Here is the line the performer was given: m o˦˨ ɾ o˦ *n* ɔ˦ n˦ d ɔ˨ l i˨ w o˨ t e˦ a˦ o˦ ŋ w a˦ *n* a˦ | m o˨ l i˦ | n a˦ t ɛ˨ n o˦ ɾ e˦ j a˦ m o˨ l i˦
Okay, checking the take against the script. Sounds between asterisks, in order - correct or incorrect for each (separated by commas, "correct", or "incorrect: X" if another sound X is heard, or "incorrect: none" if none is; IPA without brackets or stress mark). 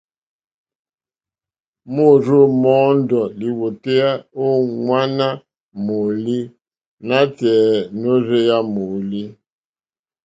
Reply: incorrect: m, correct